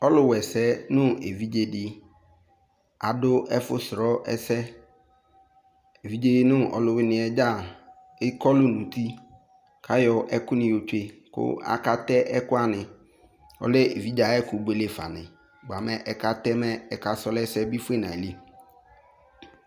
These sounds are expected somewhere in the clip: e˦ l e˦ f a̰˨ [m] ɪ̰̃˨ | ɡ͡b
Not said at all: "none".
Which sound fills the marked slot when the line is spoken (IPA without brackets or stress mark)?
n